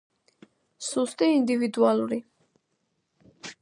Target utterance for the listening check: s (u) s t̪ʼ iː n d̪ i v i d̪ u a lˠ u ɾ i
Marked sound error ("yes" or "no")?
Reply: no